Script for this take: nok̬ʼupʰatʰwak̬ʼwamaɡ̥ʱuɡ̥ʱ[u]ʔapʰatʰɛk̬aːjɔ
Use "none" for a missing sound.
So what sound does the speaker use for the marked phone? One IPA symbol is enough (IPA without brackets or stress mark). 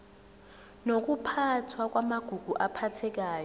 u